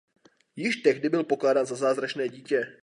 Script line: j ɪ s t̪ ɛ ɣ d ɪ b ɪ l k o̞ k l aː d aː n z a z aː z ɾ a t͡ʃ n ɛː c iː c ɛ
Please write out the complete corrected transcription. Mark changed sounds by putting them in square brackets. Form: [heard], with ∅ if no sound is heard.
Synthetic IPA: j ɪ [ʃ] t̪ ɛ ɣ d ɪ b ɪ l [p] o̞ k l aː d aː n z a z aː z ɾ a t͡ʃ n ɛː [ɟ] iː c ɛ

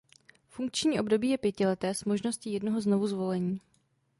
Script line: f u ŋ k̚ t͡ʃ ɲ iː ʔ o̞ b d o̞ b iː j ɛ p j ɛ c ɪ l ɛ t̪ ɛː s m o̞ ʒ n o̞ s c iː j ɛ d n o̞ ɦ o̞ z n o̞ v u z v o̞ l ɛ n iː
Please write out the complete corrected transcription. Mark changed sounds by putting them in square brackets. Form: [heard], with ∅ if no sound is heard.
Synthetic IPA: f u ŋ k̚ t͡ʃ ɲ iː ʔ o̞ b d o̞ b iː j ɛ p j ɛ c ɪ l ɛ t̪ ɛː s m o̞ ʒ n o̞ s c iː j ɛ d n o̞ ɦ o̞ z n o̞ v u z v o̞ l ɛ [ɲ] iː

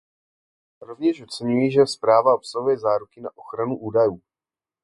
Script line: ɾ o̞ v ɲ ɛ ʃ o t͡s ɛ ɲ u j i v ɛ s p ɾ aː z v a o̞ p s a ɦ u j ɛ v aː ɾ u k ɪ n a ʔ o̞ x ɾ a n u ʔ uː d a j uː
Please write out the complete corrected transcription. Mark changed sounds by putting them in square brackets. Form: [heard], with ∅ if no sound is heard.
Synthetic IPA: ɾ o̞ v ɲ ɛ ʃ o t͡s ɛ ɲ u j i [ʒ] ɛ s p ɾ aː [∅] v a o̞ p s a ɦ u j ɛ [z] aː ɾ u k ɪ n a ʔ o̞ x ɾ a n u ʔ uː d a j uː

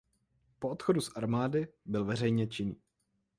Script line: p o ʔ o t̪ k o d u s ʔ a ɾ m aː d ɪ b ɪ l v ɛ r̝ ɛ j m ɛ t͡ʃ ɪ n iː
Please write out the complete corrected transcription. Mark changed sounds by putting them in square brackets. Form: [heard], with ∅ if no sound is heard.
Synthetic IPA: p o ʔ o t̪ [x] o d u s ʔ a ɾ m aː d ɪ b ɪ l v ɛ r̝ ɛ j [ɲ] ɛ t͡ʃ ɪ n iː

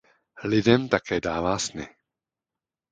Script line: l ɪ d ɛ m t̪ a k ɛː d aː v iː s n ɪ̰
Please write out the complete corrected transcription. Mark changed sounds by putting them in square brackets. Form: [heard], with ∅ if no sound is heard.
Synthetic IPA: l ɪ d ɛ m t̪ a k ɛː d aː v [aː] s n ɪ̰

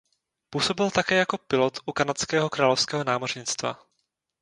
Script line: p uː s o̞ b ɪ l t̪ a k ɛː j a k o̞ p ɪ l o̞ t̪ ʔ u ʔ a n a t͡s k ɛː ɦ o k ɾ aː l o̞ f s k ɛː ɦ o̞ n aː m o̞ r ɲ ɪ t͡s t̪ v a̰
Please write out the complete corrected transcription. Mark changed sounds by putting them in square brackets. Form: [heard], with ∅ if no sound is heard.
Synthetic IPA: p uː s o̞ b ɪ l t̪ a k ɛː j a k o̞ p ɪ l o̞ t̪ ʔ u [k] a n a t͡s k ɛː ɦ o k ɾ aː l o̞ f s k ɛː ɦ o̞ n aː m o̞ r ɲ ɪ t͡s t̪ v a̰

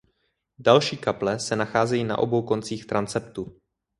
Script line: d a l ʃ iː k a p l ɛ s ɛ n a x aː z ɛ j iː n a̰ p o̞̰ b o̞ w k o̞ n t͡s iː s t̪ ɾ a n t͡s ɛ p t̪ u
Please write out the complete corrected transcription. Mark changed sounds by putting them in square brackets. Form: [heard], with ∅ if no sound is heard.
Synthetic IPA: d a l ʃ iː k a p l ɛ s ɛ n a x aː z ɛ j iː n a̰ [ʔ] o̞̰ b o̞ w k o̞ n t͡s iː [x] t̪ ɾ a n t͡s ɛ p t̪ u

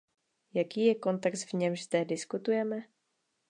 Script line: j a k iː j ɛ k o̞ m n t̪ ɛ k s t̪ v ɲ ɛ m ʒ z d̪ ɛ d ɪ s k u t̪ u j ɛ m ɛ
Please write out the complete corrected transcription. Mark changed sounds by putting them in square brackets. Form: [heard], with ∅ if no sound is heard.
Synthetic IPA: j a k iː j ɛ k o̞ [∅] n t̪ ɛ k s t̪ v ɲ ɛ m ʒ z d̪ ɛ d ɪ s k u t̪ u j ɛ m ɛ

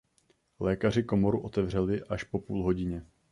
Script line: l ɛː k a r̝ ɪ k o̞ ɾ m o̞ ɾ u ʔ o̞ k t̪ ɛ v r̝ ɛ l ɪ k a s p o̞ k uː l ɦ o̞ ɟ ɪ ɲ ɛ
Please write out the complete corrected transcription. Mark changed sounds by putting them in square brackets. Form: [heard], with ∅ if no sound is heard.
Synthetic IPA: l ɛː k a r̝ ɪ k o̞ [∅] m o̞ ɾ u ʔ o̞ [∅] t̪ ɛ v r̝ ɛ l ɪ [ʔ] a [ʃ] p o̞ [p] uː l ɦ o̞ ɟ ɪ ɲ ɛ

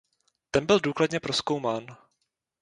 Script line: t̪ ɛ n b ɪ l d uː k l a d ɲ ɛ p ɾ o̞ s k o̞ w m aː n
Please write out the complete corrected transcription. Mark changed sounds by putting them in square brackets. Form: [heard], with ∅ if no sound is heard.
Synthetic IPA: t̪ ɛ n b ɪ l d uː k l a d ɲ ɛ p ɾ o̞ s k o̞ w m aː n

